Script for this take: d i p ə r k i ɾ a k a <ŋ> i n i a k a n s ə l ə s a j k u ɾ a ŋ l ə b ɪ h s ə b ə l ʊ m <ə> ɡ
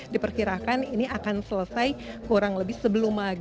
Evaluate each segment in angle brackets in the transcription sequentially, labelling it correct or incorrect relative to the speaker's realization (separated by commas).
incorrect, incorrect